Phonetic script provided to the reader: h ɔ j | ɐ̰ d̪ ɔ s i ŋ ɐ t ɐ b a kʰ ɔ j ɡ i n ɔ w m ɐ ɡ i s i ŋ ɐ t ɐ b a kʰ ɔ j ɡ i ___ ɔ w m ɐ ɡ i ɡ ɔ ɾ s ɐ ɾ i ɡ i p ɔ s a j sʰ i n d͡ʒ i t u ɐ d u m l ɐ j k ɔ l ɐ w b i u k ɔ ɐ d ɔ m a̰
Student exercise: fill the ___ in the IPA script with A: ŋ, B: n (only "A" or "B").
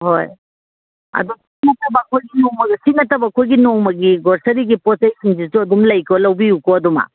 B